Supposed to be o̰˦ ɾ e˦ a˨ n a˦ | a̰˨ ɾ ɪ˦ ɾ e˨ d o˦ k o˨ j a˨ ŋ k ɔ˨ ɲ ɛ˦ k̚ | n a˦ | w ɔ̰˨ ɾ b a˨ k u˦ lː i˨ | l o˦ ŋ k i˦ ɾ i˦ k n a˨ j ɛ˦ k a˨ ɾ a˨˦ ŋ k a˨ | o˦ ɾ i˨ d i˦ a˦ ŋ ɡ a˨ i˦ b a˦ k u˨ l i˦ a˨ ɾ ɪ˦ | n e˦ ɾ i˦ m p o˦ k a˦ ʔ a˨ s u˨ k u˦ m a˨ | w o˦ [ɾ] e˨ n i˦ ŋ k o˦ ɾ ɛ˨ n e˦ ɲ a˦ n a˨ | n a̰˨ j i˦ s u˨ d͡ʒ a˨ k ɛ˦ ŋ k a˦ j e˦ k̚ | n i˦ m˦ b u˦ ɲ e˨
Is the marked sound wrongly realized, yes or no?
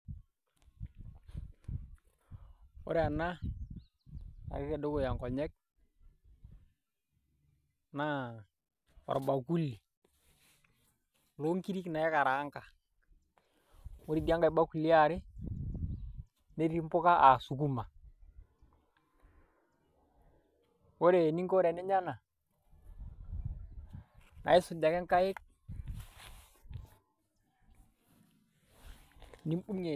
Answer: no